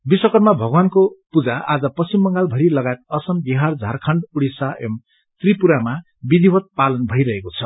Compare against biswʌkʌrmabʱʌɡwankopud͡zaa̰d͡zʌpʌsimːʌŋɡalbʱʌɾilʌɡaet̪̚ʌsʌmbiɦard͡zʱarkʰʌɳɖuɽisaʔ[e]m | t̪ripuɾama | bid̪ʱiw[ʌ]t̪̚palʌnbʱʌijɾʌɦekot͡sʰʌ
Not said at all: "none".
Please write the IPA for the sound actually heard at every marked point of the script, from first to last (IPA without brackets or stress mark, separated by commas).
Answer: e, ʌ